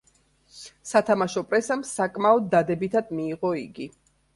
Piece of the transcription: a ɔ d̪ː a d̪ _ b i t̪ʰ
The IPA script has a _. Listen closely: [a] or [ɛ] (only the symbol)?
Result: ɛ